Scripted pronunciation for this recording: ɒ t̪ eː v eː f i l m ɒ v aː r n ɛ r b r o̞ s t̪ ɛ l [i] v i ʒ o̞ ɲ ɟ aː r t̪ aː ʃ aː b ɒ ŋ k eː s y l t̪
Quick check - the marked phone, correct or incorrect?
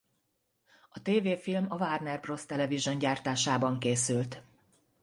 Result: incorrect